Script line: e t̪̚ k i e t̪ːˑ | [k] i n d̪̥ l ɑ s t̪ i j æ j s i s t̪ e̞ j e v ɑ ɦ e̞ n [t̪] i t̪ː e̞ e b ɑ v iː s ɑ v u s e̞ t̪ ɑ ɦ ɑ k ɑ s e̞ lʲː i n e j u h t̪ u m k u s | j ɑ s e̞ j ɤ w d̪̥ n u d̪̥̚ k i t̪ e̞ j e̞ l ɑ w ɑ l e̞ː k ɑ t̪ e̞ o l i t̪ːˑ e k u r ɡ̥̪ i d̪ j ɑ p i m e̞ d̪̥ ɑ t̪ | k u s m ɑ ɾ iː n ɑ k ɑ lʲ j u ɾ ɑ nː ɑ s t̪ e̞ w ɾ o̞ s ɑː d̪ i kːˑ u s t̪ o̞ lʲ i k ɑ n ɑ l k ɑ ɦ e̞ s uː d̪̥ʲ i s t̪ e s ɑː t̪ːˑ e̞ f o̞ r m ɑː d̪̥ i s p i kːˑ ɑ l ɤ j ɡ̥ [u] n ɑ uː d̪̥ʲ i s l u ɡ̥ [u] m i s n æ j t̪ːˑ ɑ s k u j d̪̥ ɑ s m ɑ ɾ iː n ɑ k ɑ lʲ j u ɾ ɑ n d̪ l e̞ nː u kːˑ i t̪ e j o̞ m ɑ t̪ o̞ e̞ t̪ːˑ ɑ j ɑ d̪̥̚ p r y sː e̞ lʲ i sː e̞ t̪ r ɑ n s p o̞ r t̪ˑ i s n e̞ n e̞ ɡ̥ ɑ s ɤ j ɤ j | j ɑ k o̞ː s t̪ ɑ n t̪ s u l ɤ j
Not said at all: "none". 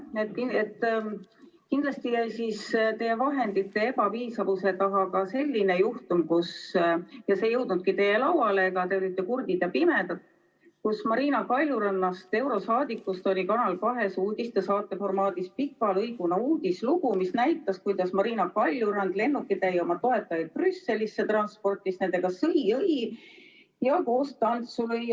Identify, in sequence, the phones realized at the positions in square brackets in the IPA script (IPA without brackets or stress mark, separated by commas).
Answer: k, d̪, u, u